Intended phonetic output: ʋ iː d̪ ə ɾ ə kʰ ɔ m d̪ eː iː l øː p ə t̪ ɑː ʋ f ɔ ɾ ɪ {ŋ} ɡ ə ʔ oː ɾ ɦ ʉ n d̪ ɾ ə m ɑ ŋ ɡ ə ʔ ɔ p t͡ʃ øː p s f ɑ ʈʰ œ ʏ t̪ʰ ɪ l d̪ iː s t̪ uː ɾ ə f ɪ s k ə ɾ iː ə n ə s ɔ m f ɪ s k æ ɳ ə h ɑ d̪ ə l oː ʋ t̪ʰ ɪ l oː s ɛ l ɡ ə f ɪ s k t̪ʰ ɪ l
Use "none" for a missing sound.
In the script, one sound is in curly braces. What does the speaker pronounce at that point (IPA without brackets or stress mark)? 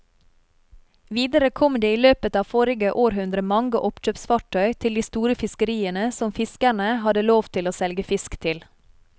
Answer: none